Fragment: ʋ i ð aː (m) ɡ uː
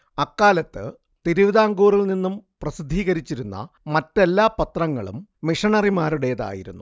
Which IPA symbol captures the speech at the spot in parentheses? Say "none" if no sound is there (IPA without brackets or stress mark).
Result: ŋ